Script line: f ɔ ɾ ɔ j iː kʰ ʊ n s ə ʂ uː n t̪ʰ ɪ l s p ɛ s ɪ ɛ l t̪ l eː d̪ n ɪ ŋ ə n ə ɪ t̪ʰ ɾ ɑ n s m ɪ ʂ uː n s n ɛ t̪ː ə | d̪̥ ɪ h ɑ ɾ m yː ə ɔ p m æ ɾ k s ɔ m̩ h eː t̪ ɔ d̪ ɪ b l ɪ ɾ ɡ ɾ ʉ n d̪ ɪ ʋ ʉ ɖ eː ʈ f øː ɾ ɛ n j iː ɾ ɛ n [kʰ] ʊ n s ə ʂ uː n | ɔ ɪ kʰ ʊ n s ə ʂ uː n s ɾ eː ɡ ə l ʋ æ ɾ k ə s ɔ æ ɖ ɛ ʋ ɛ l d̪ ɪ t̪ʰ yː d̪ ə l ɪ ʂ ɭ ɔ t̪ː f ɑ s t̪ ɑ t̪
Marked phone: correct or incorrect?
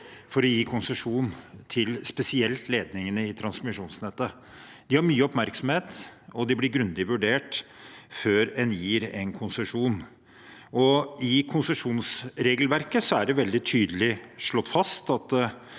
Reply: correct